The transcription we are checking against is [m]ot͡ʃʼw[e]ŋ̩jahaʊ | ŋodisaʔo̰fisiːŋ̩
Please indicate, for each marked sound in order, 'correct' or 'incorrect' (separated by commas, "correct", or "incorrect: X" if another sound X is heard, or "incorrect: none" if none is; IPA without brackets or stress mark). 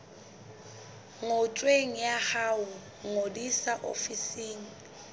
incorrect: ŋ, correct